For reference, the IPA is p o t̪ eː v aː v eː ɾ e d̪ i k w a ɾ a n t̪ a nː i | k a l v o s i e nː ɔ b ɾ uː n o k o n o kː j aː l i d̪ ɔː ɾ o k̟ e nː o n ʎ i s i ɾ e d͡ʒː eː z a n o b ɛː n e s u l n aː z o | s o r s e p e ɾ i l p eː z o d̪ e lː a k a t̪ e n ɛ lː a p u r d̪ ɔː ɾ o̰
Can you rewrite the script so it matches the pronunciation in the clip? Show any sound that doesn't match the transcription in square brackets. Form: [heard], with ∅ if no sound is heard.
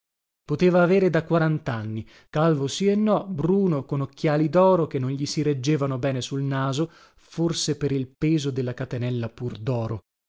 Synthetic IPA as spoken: p o t̪ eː v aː v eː ɾ e d̪ [a] k w a ɾ a n t̪ a nː i | k a l v o s i e nː ɔ b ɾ uː n o k o n o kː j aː l i d̪ ɔː ɾ o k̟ e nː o n ʎ i s i ɾ e d͡ʒː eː [v] a n o b ɛː n e s u l n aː z o | [f] o r s e p e ɾ i l p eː z o d̪ e lː a k a t̪ e n ɛ lː a p u r d̪ ɔː ɾ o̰